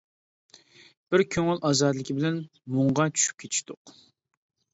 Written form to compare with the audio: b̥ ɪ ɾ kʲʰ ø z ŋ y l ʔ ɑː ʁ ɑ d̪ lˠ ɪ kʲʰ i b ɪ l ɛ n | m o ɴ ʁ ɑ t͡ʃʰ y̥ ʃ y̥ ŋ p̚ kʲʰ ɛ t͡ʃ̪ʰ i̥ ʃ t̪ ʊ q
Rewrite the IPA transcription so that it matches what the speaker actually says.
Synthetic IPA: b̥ ɪ ɾ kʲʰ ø ŋ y l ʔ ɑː z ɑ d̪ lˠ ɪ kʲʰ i b ɪ l ɛ n | m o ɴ ʁ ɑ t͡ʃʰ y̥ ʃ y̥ p̚ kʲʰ e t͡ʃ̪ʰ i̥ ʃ t̪ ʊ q

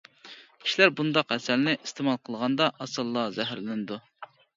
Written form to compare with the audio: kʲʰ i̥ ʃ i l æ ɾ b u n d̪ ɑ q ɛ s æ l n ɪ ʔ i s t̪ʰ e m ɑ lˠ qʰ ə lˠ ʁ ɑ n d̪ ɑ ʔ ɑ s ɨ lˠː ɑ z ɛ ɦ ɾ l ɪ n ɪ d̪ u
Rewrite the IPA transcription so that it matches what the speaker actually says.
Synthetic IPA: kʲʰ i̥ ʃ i l æ ɾ b u n d̪ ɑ q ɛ s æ l n ɪ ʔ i s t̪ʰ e m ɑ lˠ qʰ ə lˠ ʁ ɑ n d̪ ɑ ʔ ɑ s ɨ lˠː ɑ z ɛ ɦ ɾ l ɪ n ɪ d̪ u

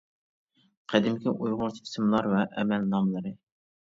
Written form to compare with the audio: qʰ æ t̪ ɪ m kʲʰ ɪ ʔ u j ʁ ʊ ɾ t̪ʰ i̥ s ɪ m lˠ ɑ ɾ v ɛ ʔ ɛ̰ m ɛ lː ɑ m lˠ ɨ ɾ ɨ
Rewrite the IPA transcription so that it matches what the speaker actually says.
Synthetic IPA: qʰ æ d̪ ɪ m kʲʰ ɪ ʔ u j ʁ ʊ ɾ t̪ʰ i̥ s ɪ m lˠ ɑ ɾ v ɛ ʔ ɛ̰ m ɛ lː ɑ m lˠ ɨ ɾ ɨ

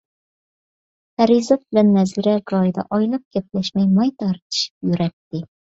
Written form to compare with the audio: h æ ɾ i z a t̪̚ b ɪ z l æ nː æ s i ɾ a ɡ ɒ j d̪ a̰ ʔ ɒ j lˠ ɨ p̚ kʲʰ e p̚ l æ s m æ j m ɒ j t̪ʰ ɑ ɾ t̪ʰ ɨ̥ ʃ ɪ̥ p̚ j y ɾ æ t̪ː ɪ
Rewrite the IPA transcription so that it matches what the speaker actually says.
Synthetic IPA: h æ ɾ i z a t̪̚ b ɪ l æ nː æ z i ɾ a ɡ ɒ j d̪ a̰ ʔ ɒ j lˠ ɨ p̚ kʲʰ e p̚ l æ ʃ m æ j m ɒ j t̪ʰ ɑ ɾ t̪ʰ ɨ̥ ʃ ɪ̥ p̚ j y ɾ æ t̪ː ɪ

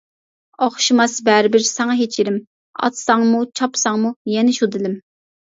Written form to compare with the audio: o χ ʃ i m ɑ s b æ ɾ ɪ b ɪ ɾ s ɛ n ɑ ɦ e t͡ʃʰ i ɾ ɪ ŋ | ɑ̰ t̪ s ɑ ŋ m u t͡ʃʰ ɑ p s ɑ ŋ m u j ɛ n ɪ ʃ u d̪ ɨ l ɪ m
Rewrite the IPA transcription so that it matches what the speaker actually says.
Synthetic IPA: o χ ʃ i m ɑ s b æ ɾ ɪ b ɪ ɾ s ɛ ŋ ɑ ɦ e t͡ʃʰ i ɾ ɪ m | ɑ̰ t̪ s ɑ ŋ m u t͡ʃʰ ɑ p s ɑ ŋ m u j ɛ n ɪ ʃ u d̪ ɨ l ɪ m

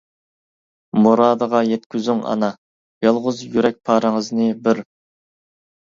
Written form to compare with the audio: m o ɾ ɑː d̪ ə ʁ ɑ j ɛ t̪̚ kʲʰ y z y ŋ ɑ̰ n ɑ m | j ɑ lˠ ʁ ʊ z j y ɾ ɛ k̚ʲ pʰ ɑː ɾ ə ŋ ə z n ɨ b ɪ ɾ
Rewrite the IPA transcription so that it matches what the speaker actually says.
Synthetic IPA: m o ɾ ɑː d̪ ə ʁ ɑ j ɛ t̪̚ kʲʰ y z y ŋ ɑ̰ n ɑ | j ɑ lˠ ʁ ʊ z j y ɾ ɛ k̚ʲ pʰ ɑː ɾ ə ŋ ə z n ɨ b ɪ ɾ

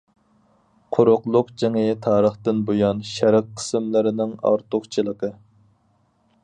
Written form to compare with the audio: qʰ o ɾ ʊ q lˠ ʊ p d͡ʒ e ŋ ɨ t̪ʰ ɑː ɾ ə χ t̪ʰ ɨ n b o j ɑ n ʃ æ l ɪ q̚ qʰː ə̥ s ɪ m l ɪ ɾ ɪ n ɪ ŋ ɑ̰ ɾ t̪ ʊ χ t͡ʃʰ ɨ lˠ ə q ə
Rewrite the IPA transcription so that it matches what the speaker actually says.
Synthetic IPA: qʰ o ɾ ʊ q lˠ ʊ q d͡ʒ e ŋ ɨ t̪ʰ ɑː ɾ ə χ t̪ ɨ n b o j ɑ n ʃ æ ɾ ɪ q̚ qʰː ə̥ s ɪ m l ɪ ɾ ɪ n ɪ ŋ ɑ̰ ɾ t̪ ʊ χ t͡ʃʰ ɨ lˠ ə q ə

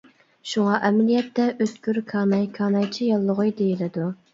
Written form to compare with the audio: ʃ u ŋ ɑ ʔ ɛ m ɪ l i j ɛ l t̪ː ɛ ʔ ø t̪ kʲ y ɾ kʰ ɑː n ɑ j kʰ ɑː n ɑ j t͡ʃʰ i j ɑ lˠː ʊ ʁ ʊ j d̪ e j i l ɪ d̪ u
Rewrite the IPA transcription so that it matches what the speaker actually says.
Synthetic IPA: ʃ u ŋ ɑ ʔ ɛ m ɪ l i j ɛ t̪ː ɛ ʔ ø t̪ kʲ y ɾ kʰ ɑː n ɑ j kʰ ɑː n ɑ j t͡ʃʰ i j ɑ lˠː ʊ ʁ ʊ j d̪ e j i l ɪ d̪ u

